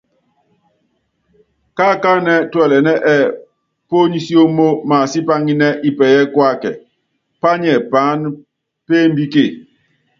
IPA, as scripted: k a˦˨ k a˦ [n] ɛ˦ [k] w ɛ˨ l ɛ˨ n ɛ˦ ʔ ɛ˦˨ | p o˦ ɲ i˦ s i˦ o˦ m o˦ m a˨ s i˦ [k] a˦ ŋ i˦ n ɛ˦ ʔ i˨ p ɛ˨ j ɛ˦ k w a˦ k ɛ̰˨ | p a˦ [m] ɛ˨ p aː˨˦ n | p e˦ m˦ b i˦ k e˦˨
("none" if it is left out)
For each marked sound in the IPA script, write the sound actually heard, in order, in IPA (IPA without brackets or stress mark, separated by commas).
n, t, p, ɲ